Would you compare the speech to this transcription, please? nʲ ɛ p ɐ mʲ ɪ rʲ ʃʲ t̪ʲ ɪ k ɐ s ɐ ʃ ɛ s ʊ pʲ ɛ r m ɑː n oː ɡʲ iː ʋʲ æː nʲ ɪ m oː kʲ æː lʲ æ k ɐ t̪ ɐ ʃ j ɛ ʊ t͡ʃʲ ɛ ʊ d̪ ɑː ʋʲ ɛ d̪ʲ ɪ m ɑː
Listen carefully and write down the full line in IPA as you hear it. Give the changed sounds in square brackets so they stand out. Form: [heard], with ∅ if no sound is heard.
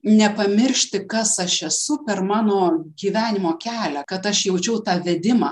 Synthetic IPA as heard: nʲ ɛ p ɐ mʲ ɪ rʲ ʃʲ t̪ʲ ɪ k ɐ s ɐ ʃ ɛ s ʊ pʲ ɛ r m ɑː n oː ɡʲ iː ʋʲ æː nʲ ɪ m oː kʲ æː lʲ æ k ɐ t̪ ɐ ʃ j ɛ ʊ t͡ʃʲ ɛ ʊ [t̪] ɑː ʋʲ ɛ d̪ʲ ɪ m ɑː